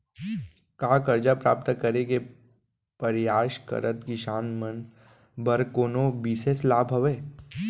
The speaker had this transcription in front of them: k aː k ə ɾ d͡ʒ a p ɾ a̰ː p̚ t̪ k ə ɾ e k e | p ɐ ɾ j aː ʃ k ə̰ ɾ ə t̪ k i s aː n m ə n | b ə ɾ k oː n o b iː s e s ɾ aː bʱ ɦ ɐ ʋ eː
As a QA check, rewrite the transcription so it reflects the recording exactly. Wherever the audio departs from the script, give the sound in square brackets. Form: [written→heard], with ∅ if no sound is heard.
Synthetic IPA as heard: k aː k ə ɾ d͡ʒ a p ɾ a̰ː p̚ t̪ k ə ɾ e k e | p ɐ ɾ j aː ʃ k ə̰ ɾ ə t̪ k i [s→ʃ] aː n m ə n | b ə ɾ k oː n o b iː s e s [ɾ→l] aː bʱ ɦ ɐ ʋ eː